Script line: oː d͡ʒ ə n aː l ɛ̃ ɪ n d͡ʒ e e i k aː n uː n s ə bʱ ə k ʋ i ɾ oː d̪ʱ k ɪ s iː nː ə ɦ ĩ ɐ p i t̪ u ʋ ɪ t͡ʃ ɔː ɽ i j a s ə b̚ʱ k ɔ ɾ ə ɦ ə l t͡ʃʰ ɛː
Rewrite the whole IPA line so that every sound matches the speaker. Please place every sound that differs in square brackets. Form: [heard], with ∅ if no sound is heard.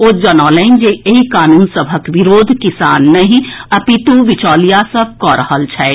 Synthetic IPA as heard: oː d͡ʒ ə n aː l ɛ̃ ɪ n d͡ʒ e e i k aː n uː n s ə bʱ ə k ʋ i ɾ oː d̪ʱ k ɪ s [aː] nː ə ɦ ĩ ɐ p i t̪ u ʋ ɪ t͡ʃ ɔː [l] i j a s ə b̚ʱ k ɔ ɾ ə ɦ ə l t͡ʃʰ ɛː